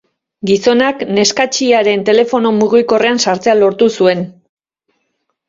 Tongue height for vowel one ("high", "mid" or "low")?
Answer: high